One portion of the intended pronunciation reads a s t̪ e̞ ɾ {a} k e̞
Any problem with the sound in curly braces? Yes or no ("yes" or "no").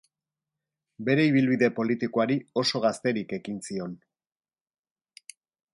yes